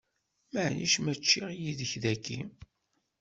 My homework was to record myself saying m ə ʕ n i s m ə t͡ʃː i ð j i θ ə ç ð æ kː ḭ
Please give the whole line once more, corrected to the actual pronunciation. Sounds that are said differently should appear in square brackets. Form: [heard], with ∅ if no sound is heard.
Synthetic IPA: m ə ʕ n i [ʃ] m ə t͡ʃː i [ʁ] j i [ð] ə ç ð æ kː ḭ

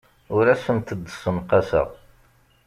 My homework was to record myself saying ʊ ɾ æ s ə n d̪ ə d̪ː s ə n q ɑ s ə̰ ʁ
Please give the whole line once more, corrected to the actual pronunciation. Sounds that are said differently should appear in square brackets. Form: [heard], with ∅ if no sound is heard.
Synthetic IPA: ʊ ɾ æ s ə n [t̪] ə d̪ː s ə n q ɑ s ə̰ ʁ

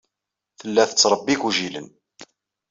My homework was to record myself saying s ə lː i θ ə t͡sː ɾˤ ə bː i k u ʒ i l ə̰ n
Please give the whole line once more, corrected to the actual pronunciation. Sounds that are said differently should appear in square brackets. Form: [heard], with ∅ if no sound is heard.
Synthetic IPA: [θ] ə lː [æ] θ ə t͡sː ɾˤ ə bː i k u ʒ i l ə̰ n

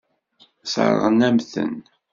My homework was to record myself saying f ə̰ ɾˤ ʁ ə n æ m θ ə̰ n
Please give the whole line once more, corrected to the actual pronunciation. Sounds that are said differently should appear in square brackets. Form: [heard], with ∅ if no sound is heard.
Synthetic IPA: [s] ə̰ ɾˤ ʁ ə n æ m θ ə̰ n

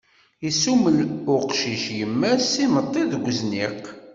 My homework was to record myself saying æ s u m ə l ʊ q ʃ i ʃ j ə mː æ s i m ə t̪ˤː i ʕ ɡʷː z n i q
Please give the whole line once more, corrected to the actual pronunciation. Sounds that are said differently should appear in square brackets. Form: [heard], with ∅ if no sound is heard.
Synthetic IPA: [i] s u m ə l ʊ q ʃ i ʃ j ə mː æ s i m ə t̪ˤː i [ð] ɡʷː z n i q

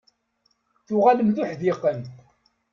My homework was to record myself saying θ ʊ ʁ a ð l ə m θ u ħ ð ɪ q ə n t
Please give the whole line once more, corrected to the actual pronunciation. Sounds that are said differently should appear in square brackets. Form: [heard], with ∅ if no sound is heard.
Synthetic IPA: θ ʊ ʁ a [∅] l ə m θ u ħ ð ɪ q ə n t

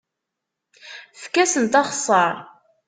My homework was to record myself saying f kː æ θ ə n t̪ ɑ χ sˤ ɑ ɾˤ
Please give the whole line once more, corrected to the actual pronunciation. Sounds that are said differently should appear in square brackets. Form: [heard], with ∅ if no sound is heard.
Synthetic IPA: f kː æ [s] ə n t̪ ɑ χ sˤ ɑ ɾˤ

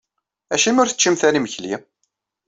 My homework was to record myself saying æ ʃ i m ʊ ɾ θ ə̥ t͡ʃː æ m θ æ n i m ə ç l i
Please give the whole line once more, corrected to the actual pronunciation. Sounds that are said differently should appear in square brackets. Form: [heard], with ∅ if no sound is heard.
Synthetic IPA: æ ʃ i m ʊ ɾ θ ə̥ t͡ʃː [i] m θ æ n i m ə ç l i

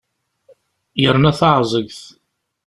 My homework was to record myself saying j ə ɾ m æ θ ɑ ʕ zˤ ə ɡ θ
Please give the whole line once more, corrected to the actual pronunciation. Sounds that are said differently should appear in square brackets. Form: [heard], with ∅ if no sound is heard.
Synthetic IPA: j ə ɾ [n] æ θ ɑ ʕ zˤ ə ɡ θ

